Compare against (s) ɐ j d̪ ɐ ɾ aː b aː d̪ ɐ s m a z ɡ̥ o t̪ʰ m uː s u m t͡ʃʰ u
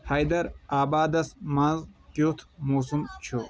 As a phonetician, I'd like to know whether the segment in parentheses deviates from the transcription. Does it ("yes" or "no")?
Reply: yes